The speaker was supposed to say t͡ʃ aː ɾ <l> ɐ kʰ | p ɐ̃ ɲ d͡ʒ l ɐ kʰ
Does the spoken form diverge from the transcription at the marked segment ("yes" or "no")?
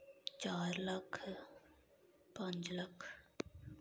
no